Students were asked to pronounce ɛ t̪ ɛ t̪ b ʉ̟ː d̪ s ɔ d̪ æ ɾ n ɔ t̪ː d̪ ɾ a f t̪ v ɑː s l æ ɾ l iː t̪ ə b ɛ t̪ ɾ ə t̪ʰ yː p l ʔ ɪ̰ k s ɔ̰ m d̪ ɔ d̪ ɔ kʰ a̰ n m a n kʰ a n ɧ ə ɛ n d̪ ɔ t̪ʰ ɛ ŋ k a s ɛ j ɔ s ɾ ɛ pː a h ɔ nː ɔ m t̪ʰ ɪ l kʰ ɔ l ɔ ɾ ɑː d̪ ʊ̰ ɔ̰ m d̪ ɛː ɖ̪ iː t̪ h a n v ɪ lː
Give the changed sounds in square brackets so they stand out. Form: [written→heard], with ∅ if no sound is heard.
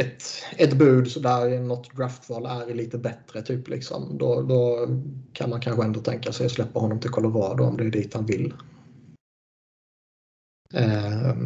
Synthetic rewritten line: ɛ t̪ ɛ t̪ b ʉ̟ː d̪ s ɔ d̪ æ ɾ n ɔ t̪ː d̪ ɾ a f t̪ v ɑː [s→∅] l æ ɾ l iː t̪ ə b ɛ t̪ ɾ ə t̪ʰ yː p l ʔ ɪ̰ k s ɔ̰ m d̪ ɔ d̪ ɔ kʰ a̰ n m a n kʰ a n ɧ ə ɛ n d̪ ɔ t̪ʰ ɛ ŋ k a s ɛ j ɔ s [ɾ→l] ɛ pː a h ɔ nː ɔ m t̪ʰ ɪ l kʰ ɔ l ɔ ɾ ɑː d̪ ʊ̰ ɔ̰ m d̪ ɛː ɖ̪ iː t̪ h a n v ɪ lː